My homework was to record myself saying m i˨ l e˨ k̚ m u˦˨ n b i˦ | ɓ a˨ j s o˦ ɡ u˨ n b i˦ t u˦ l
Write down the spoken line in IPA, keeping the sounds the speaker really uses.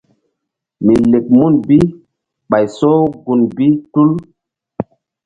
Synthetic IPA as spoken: m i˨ l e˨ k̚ m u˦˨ n b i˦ | ɓ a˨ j s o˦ ɡ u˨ n b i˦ t u˦ l